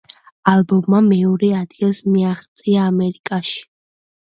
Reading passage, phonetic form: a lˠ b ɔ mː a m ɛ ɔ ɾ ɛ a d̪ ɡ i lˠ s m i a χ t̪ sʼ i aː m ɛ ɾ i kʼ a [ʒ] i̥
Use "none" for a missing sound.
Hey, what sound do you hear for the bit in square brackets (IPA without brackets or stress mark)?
ʃ